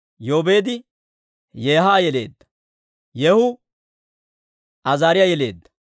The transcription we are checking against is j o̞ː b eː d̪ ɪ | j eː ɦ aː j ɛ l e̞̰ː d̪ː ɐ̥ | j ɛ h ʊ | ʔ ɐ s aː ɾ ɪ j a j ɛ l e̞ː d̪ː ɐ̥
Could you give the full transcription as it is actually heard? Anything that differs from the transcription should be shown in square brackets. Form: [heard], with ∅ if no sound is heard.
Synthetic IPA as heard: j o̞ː b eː d̪ ɪ | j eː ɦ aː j ɛ l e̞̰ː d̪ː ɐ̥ | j ɛ h ʊ | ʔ ɐ [z] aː ɾ ɪ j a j ɛ l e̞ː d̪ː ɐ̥